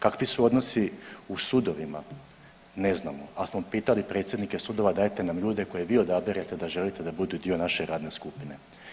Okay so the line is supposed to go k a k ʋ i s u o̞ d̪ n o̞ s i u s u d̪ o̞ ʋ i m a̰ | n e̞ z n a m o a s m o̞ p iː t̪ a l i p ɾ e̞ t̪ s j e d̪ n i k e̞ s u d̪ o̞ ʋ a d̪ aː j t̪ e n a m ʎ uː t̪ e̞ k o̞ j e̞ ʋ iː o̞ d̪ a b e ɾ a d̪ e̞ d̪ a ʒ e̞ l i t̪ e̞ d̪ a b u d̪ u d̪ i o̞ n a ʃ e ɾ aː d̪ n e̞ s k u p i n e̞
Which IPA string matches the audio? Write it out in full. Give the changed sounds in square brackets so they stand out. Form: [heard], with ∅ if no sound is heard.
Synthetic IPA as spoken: k a k ʋ i s u o̞ d̪ n o̞ s i u s u d̪ o̞ ʋ i m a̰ | n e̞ z n a m o a s m o̞ p iː t̪ a l i p ɾ e̞ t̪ s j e d̪ n i k e̞ s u d̪ o̞ ʋ a d̪ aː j t̪ e n a m ʎ uː [d̪] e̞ k o̞ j e̞ ʋ iː o̞ d̪ a b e ɾ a [t̪] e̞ d̪ a ʒ e̞ l i t̪ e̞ d̪ a b u d̪ u d̪ i o̞ n a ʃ e ɾ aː d̪ n e̞ s k u p i n e̞